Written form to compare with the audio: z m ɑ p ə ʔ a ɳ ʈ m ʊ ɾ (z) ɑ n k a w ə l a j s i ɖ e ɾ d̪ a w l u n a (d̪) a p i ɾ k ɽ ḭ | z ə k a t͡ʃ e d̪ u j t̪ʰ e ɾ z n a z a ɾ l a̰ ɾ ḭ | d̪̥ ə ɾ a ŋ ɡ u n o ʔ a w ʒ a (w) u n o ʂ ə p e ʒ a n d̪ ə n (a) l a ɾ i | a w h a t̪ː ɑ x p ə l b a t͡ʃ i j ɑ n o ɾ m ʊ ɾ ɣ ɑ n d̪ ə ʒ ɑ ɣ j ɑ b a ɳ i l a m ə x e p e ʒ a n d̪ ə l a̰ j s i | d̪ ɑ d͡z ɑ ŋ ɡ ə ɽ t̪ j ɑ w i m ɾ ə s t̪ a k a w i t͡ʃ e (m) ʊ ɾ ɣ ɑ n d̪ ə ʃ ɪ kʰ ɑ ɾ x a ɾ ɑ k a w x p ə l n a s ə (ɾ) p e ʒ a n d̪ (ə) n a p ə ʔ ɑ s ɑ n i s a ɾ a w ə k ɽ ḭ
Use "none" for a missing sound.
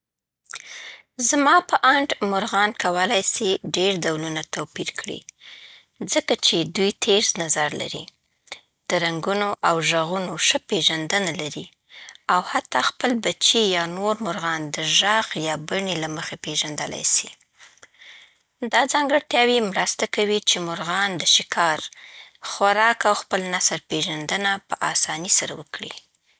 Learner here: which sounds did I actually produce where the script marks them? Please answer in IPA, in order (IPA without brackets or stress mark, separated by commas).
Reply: ɣ, t̪, ɣ, a, m, ɾ, ə